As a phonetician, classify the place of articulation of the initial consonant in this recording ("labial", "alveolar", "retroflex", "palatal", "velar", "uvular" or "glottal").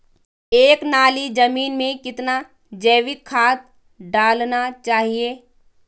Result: velar